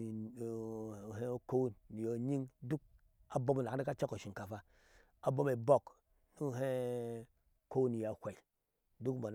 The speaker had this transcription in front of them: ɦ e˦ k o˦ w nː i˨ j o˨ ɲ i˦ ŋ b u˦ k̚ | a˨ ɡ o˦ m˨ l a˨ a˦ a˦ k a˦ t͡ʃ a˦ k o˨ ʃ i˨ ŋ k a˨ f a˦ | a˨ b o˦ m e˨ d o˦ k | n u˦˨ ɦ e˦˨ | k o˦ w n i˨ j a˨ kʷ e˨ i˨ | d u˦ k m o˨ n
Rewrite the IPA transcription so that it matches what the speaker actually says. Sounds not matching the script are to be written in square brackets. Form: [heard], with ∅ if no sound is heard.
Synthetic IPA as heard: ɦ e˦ k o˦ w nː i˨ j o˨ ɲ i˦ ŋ [d] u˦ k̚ | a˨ [b] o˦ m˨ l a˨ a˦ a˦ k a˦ t͡ʃ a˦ k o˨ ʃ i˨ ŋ k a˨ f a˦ | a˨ b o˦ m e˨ [b] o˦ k | n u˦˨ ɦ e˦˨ | k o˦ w n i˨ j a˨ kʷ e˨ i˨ | d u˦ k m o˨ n